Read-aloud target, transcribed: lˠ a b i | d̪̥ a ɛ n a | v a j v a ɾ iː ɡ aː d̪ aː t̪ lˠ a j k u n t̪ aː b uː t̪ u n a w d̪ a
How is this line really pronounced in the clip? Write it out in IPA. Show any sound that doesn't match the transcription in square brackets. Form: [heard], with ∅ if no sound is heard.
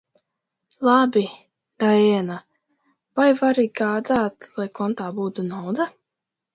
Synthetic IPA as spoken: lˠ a b i | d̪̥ a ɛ n a | v a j v a ɾ [i] ɡ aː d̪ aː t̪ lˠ a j k [ɔ] n t̪ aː b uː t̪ u n a w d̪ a